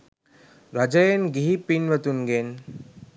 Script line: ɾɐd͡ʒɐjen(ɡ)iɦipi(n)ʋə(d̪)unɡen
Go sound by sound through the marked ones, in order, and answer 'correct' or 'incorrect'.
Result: correct, correct, incorrect: t̪

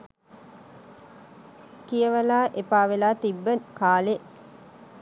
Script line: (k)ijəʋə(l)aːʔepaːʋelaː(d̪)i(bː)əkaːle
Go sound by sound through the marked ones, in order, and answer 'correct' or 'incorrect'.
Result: correct, correct, incorrect: t̪, correct

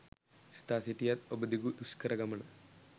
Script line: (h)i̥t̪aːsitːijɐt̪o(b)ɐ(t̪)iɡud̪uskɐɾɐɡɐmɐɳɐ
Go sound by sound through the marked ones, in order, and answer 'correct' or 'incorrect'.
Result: incorrect: s, correct, incorrect: d̪

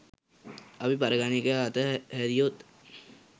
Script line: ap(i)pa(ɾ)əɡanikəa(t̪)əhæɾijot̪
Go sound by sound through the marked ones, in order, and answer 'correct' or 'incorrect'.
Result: correct, correct, correct

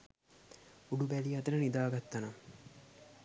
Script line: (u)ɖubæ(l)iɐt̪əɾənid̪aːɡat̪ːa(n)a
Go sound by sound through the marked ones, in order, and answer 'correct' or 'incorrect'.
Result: correct, correct, correct

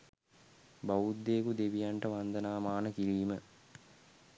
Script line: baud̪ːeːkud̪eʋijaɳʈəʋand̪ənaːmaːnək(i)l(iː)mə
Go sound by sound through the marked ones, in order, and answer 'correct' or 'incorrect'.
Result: correct, correct

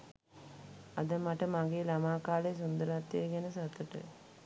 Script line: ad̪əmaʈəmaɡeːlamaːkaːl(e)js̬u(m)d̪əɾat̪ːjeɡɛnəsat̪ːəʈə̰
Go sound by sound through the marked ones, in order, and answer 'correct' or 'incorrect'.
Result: correct, incorrect: n

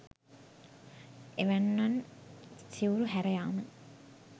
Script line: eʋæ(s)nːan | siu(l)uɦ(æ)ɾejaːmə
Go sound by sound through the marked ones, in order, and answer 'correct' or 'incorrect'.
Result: incorrect: none, incorrect: ɾ, correct

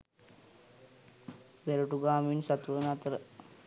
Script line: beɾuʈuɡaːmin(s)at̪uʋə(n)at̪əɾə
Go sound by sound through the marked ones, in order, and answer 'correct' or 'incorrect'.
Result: correct, correct

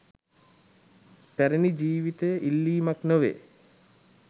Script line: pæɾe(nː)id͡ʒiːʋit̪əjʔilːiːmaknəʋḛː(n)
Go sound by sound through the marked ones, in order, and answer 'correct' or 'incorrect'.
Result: incorrect: n, incorrect: none

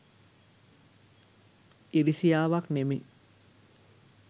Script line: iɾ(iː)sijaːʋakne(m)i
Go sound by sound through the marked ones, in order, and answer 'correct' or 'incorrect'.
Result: incorrect: i, correct

